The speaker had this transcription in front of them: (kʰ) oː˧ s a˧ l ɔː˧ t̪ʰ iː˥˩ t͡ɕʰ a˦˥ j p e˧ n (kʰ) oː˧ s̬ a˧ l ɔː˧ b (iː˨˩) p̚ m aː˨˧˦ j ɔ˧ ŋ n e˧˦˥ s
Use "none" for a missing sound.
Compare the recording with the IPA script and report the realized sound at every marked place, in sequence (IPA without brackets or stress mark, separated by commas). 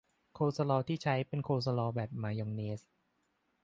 kʰ, kʰ, ɛː˨˩